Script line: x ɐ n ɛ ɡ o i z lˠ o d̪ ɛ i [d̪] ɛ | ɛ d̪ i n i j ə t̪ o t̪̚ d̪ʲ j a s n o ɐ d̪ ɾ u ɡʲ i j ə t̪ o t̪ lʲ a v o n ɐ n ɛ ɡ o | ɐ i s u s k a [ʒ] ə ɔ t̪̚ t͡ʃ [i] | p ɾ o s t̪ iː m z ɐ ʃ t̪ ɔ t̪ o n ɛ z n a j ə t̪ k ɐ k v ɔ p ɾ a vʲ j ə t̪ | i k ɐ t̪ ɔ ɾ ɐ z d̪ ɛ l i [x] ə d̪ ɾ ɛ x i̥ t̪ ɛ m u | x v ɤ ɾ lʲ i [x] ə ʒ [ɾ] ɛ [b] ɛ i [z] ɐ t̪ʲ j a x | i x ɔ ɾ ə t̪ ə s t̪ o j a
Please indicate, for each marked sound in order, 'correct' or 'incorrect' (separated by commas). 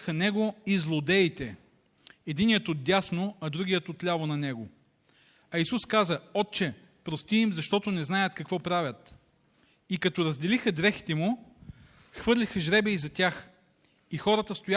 incorrect, incorrect, incorrect, correct, correct, correct, correct, correct